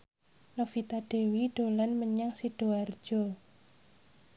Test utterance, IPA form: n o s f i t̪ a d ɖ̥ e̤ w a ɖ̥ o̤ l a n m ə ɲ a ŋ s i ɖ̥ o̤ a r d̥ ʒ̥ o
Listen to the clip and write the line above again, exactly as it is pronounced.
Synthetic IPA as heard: n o f i t̪ a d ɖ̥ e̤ w i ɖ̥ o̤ l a n m ə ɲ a ŋ s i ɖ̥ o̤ a r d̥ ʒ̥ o